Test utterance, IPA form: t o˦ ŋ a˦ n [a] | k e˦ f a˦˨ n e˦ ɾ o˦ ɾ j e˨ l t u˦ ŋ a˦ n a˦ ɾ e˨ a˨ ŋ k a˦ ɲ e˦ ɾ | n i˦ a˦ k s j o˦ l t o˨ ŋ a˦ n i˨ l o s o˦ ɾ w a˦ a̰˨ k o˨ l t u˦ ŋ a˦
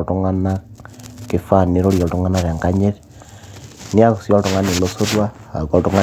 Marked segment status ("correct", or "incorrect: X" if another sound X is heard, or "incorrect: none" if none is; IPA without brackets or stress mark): correct